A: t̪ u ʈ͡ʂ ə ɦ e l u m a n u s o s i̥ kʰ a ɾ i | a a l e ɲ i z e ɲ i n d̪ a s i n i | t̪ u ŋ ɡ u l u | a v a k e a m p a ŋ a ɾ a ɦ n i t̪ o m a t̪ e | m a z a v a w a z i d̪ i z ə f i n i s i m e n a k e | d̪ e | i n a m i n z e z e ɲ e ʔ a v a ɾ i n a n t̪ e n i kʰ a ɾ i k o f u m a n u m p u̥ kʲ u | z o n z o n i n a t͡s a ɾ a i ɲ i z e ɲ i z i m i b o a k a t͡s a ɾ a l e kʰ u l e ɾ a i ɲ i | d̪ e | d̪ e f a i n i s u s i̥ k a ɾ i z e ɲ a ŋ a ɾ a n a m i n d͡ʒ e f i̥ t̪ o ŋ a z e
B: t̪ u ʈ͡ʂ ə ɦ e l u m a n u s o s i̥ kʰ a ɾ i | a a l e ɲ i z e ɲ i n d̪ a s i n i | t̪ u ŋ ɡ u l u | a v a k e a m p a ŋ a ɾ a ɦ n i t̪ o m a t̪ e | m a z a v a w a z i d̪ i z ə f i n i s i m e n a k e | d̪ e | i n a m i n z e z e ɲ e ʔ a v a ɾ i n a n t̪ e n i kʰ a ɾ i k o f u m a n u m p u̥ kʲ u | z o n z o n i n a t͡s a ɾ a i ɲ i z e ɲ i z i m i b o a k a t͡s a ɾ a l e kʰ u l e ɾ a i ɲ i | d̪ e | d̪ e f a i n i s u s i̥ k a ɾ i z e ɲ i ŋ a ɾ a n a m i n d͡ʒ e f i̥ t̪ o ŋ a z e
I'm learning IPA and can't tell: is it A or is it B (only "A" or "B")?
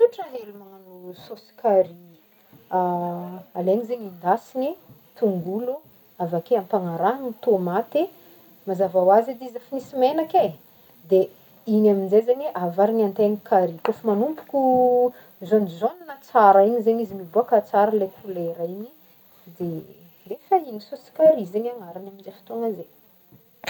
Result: A